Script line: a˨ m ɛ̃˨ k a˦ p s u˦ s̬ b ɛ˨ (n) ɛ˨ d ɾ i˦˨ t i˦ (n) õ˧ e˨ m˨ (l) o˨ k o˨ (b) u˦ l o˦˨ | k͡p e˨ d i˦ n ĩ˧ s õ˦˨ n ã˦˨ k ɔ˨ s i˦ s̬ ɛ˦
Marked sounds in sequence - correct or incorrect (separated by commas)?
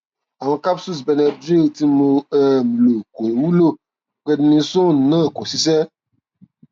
correct, incorrect, correct, incorrect